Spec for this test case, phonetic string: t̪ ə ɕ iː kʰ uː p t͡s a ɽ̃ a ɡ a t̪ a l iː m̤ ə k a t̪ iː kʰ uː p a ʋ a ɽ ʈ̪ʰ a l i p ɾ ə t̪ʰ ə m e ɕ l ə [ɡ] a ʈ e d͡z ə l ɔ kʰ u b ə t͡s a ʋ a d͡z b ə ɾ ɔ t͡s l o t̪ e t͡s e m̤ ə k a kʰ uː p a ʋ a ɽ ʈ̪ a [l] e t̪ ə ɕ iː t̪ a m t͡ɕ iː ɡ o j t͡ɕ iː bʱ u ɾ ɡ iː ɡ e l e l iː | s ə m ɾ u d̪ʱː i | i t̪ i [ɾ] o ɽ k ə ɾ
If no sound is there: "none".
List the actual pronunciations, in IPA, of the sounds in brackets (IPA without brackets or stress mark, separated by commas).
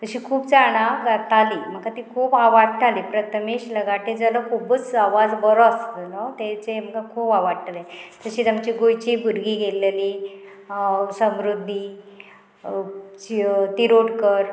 ɡ, l, ɾ